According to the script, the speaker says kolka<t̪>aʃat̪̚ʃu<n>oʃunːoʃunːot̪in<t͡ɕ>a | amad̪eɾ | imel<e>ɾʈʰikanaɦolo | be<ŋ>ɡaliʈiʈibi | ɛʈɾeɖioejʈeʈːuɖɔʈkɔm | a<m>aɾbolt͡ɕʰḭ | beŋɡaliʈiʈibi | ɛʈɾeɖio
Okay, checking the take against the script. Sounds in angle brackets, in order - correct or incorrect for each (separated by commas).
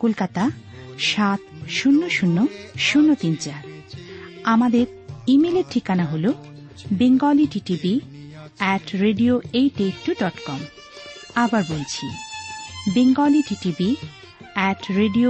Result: correct, incorrect, correct, correct, correct, incorrect